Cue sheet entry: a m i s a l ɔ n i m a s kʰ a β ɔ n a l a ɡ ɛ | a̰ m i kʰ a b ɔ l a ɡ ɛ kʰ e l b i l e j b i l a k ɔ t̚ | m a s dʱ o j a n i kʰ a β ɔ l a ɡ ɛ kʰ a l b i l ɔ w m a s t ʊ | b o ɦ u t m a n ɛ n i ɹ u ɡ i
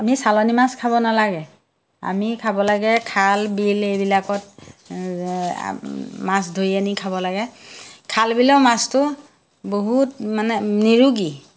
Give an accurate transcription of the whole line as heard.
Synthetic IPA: a m i s a l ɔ n i m a s kʰ a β ɔ n a l a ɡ ɛ | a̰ m i kʰ a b ɔ l a ɡ ɛ kʰ a l b i l e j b i l a k ɔ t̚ | m a s dʱ o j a n i kʰ a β ɔ l a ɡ ɛ kʰ a l b i l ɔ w m a s t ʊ | b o ɦ u t m a n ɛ n i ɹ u ɡ i